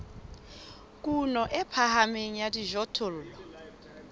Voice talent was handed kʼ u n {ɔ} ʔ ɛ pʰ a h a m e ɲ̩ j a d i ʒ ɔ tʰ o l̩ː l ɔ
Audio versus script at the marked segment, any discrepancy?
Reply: no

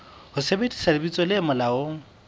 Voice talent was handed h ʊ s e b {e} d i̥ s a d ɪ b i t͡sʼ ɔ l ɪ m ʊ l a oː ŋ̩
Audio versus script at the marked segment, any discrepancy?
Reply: no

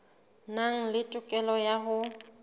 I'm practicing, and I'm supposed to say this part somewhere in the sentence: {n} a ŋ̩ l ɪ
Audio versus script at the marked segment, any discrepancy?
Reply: no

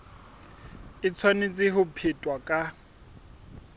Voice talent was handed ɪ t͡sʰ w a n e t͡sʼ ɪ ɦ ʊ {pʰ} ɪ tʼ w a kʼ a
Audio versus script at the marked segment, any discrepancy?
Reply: no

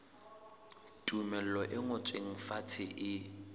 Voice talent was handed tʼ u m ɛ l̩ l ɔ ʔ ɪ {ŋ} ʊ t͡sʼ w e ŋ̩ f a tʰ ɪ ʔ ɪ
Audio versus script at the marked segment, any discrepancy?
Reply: no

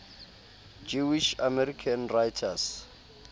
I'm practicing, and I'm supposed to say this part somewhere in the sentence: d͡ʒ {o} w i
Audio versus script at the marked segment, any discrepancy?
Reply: yes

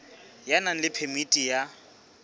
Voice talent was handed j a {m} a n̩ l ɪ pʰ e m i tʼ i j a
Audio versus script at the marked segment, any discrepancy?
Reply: yes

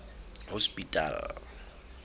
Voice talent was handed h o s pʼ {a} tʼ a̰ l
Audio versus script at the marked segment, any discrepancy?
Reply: yes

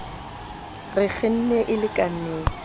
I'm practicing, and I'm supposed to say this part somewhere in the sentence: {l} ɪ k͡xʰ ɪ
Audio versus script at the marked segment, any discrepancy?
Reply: yes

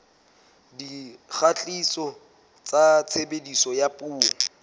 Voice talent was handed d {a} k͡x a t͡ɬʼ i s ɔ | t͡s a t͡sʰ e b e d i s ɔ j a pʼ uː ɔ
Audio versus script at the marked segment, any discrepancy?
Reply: yes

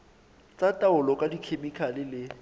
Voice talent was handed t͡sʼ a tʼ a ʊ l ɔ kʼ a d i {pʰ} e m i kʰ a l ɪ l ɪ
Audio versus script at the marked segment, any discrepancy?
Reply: yes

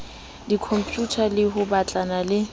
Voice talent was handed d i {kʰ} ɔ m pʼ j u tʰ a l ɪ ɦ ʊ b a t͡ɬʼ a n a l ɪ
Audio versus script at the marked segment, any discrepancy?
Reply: no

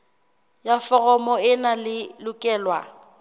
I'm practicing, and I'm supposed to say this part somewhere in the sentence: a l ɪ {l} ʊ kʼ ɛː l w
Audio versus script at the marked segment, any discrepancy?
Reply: no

